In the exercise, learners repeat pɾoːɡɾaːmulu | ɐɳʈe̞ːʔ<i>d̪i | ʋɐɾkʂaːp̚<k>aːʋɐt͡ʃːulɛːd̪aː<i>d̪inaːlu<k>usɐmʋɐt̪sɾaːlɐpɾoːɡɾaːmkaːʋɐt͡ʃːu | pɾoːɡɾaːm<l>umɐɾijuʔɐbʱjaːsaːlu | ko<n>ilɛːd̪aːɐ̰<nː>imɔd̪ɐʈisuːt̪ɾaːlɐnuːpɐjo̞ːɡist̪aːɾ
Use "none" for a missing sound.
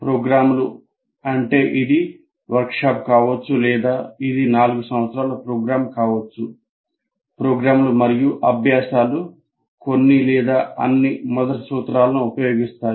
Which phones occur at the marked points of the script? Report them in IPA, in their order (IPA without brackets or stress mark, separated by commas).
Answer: i, k, i, ɡ, l, nː, nː